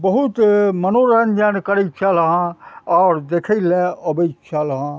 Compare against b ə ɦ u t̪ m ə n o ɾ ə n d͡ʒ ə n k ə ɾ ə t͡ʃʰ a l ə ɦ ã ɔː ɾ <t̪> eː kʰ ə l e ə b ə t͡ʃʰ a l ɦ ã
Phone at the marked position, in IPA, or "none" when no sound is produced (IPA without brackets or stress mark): d̪